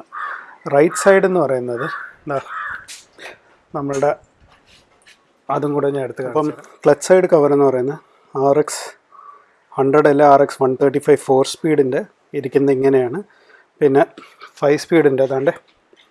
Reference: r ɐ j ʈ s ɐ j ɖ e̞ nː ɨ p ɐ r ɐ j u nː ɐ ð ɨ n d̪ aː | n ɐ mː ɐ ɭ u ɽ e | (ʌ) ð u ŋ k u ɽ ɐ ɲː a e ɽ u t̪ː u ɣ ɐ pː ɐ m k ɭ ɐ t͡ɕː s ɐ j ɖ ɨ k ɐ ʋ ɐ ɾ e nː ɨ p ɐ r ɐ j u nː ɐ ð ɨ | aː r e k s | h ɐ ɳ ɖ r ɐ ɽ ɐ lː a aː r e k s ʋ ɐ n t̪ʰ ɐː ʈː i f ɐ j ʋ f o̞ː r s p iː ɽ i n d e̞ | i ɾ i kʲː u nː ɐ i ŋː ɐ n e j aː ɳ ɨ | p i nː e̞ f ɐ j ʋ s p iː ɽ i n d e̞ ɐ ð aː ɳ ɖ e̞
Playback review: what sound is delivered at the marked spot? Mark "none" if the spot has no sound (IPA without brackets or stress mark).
ɐ